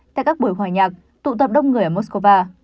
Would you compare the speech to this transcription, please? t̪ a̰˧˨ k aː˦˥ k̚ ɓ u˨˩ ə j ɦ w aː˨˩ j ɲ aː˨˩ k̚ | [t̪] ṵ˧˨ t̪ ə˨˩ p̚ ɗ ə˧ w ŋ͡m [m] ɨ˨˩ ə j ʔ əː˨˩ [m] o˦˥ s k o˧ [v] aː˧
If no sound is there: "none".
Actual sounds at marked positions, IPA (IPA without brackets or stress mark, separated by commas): t̪, ŋ, m, v